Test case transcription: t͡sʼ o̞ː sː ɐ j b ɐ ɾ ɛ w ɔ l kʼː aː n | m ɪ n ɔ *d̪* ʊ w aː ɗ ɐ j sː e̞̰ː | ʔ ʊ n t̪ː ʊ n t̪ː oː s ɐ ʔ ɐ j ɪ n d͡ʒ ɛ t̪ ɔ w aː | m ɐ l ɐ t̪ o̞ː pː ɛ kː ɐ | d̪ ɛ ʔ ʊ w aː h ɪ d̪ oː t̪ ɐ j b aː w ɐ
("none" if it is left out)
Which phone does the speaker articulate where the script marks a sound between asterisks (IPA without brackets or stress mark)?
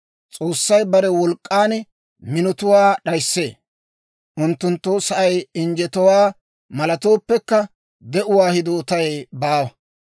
t̪